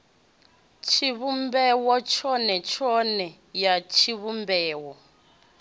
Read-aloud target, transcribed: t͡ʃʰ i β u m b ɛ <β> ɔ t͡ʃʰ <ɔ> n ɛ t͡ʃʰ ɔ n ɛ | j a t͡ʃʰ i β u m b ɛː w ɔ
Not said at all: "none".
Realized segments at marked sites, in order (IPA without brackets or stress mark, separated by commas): w, ɔ